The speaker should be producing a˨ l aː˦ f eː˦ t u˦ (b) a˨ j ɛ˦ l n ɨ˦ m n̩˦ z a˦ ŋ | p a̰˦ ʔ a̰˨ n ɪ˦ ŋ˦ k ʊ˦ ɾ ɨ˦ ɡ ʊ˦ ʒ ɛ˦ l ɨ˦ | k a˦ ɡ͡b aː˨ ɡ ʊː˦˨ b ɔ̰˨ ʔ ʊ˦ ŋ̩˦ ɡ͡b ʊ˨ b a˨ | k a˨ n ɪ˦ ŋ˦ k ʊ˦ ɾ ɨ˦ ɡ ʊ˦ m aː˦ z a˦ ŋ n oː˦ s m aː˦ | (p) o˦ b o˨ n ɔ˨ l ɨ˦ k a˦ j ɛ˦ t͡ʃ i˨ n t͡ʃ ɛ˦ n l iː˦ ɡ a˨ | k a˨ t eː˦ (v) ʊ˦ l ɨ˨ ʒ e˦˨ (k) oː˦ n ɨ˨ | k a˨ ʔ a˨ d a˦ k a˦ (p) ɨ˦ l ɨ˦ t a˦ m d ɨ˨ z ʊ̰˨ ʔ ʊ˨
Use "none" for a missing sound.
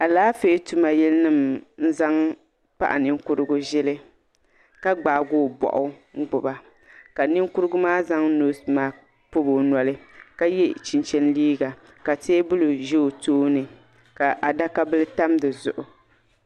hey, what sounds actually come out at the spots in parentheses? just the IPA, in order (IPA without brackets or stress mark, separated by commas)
m, p, b, t, b